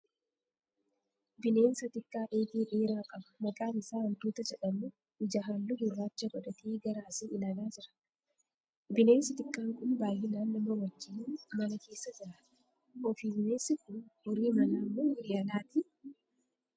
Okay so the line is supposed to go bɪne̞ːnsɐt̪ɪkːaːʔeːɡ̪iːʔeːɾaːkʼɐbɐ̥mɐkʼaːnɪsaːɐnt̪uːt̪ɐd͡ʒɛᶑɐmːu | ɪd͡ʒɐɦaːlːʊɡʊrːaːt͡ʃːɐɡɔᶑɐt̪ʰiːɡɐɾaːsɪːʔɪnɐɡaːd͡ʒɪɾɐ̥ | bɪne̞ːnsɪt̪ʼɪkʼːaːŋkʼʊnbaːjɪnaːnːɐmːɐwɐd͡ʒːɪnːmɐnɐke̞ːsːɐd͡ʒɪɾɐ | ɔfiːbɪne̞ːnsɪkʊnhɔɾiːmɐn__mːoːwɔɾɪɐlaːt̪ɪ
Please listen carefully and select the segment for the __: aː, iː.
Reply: aː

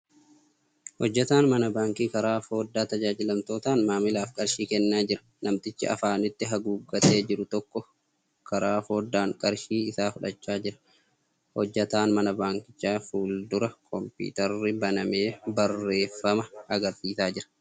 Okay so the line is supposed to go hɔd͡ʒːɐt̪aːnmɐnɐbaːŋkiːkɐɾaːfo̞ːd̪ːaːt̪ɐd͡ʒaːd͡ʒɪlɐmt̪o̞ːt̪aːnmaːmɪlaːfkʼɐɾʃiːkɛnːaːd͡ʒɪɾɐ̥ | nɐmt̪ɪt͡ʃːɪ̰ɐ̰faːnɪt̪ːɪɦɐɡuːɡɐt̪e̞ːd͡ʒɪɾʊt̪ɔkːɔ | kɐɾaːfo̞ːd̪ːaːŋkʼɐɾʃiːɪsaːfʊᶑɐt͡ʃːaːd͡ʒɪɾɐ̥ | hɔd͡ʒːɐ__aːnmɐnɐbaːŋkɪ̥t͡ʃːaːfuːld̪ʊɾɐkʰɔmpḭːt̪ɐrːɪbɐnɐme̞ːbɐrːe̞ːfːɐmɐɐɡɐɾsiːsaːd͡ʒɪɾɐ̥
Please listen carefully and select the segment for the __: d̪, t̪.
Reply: t̪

